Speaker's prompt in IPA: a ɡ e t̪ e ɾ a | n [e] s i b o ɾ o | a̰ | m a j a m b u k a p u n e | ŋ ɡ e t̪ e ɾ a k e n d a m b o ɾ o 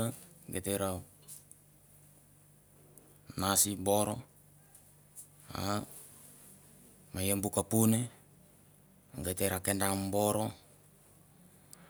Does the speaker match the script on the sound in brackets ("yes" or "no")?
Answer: no